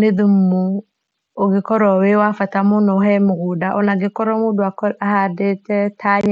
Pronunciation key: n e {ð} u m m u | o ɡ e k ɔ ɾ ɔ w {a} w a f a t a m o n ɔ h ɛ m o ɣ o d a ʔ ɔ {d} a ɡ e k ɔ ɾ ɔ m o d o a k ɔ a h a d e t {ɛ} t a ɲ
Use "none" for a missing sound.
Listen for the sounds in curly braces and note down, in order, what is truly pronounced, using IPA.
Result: ð, e, n, ɛ

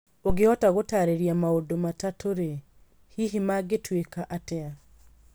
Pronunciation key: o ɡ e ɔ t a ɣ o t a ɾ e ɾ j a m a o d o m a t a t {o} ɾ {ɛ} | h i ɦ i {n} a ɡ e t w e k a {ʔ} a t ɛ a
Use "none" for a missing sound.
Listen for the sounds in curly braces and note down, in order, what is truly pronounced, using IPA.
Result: o, e, m, ʔ

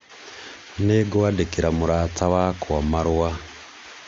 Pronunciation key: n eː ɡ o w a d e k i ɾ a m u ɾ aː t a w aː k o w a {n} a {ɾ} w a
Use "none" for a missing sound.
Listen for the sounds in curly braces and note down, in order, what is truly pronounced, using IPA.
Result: m, ɾ

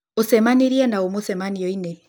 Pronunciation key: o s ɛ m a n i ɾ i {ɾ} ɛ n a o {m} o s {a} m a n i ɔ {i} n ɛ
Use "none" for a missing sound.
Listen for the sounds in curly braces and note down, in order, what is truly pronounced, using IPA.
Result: none, m, ɛ, i

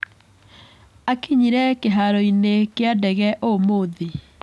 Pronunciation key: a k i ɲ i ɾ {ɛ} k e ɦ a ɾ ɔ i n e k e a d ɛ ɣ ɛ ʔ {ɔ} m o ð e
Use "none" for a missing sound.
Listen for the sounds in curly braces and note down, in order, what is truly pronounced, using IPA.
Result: ɛ, o

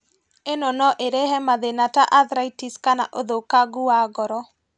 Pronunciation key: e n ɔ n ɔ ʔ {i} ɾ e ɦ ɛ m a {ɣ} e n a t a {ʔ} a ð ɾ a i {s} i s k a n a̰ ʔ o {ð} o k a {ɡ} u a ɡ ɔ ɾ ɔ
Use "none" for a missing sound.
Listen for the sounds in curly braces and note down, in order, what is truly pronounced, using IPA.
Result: e, ð, ʔ, t, ð, ɡ

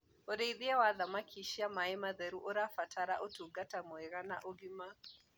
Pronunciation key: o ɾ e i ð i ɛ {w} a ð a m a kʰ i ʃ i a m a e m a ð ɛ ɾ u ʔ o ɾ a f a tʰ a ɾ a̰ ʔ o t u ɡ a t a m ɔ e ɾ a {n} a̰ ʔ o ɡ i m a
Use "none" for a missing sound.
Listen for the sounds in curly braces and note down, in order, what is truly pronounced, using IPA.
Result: w, n

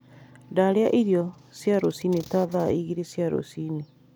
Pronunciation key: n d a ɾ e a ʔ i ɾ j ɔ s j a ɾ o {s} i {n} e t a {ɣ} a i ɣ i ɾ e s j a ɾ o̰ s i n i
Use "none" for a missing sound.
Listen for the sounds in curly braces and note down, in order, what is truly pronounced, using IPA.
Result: s, n, ð

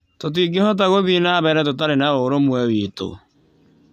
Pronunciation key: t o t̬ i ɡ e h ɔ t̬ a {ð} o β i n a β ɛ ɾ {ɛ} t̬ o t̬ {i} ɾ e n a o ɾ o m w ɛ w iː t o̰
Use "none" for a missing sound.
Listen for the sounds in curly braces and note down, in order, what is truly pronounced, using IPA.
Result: ɣ, ɛ, a

